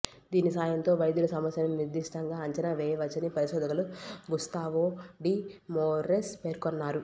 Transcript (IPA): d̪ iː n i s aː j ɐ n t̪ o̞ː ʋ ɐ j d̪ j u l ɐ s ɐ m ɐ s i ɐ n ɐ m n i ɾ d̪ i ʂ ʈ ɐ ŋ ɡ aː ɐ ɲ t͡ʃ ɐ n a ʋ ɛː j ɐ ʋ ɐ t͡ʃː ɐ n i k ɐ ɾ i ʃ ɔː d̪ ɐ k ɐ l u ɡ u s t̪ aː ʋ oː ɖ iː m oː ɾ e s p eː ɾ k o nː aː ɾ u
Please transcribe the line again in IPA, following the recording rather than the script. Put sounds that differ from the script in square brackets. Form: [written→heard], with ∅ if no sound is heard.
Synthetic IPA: d̪ iː n i s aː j ɐ n t̪ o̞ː ʋ ɐ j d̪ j u l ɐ s ɐ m ɐ s [i→j] ɐ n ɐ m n i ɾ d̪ i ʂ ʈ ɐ ŋ ɡ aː ɐ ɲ t͡ʃ ɐ n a ʋ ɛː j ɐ ʋ ɐ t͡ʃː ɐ n i [k→p] ɐ ɾ i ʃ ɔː d̪ ɐ k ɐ l u ɡ u s t̪ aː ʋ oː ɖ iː m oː ɾ e s p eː ɾ k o nː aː ɾ u

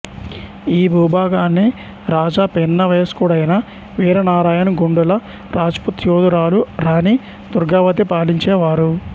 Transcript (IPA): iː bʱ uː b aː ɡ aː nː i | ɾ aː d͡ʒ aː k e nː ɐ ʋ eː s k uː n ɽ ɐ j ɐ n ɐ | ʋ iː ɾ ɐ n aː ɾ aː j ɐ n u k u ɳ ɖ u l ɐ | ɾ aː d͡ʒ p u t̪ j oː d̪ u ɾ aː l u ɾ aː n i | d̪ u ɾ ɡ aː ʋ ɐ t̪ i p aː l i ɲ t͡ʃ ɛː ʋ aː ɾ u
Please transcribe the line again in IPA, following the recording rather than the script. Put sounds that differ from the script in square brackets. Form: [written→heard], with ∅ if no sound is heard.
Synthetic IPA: iː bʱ uː b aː ɡ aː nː i | ɾ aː d͡ʒ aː [k→p] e nː ɐ ʋ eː s k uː [n→∅] ɽ ɐ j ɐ n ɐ | ʋ iː ɾ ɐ n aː ɾ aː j ɐ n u [k→ɡ] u ɳ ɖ u l ɐ | ɾ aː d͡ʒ p u t̪ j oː d̪ u ɾ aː l u ɾ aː n i | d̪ u ɾ ɡ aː ʋ ɐ t̪ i p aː l i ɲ t͡ʃ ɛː ʋ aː ɾ u

